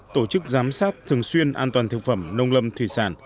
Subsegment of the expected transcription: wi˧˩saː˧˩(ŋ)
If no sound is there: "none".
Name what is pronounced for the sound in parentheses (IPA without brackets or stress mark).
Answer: n